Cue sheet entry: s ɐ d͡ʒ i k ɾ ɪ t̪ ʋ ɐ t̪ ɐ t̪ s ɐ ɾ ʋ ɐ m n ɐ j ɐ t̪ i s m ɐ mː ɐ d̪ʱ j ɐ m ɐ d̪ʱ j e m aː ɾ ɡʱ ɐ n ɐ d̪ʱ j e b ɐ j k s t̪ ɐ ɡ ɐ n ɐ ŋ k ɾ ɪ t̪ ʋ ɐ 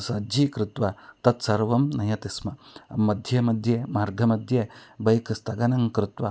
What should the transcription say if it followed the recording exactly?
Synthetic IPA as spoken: s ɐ d͡ʒ i k ɾ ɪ t̪ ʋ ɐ t̪ ɐ t̪ s ɐ ɾ ʋ ɐ m n ɐ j ɐ t̪ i s m ɐ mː ɐ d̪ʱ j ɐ m ɐ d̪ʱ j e m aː ɾ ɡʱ ɐ m ɐ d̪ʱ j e b ɐ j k s t̪ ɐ ɡ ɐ n ɐ ŋ k ɾ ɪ t̪ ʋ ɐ